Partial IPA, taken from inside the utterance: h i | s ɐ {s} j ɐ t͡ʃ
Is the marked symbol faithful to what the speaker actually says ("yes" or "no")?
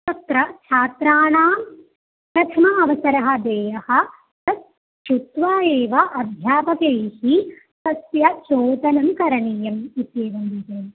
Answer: yes